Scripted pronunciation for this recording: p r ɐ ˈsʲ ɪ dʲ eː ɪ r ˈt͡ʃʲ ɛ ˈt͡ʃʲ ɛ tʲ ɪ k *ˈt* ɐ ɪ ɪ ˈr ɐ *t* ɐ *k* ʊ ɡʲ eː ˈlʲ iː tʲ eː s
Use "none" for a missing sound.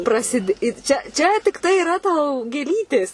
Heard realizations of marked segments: t, t, none

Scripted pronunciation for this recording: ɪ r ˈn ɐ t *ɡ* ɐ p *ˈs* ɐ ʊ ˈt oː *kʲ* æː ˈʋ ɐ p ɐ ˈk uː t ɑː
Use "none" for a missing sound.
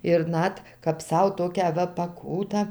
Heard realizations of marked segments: k, s, kʲ

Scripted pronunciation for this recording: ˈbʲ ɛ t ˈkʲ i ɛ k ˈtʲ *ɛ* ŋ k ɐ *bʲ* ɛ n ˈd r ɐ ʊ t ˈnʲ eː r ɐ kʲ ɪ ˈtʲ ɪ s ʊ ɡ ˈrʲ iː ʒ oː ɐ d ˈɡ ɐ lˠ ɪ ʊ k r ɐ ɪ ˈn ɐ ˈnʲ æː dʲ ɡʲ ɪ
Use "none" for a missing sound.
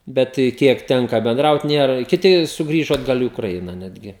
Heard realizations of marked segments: ɛ, bʲ

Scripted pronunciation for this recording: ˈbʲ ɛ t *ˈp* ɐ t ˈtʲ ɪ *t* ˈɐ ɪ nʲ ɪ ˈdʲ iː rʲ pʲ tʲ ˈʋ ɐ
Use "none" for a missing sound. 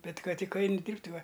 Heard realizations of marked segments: k, k

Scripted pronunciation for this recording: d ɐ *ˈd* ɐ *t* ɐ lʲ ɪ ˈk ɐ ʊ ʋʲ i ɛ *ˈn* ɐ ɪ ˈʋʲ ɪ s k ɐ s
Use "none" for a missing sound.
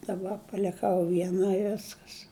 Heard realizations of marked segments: b, p, n

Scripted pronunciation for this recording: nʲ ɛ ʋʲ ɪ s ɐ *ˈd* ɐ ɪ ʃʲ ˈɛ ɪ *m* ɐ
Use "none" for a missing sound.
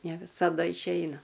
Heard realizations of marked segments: d, n

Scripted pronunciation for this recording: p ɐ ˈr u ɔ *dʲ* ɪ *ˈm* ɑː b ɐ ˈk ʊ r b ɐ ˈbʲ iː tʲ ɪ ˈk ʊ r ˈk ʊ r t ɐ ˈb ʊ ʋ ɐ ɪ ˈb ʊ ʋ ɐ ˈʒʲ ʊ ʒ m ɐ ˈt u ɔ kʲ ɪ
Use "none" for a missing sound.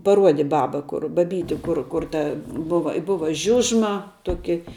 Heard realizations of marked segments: dʲ, b

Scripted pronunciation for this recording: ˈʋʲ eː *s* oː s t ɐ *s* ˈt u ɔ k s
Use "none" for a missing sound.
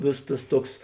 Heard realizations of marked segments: s, s

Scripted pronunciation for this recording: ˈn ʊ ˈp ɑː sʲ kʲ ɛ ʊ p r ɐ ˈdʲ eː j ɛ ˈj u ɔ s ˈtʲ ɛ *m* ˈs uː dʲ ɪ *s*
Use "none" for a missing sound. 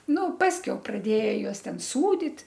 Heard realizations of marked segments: n, t

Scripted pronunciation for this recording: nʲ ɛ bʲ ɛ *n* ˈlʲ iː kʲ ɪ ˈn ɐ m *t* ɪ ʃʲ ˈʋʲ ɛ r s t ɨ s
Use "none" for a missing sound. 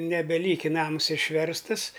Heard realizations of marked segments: none, s

